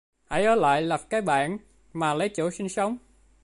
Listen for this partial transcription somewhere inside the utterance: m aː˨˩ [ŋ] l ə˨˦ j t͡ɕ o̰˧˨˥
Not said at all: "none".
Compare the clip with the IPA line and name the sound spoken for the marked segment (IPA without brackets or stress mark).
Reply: none